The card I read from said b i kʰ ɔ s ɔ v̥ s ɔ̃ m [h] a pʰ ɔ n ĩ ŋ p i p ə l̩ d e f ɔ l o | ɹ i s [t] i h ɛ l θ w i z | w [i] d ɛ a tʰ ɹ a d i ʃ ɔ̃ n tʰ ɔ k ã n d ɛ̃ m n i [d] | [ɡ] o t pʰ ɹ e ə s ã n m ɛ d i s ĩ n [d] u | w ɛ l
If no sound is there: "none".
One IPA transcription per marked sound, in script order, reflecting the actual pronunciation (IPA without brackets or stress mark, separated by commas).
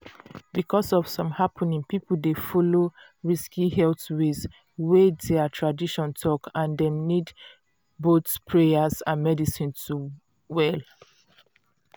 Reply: h, k, e, d, b, t